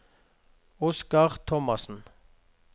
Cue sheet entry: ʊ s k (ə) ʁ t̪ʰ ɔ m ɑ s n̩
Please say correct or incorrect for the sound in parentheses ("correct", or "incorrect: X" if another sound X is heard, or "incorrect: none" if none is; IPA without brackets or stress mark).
incorrect: ɑ